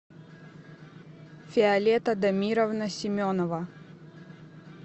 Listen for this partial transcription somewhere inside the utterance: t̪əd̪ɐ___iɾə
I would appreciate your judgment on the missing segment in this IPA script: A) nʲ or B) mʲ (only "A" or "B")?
B